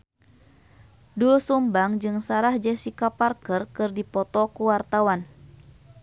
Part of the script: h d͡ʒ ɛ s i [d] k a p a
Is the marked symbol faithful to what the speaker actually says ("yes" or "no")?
no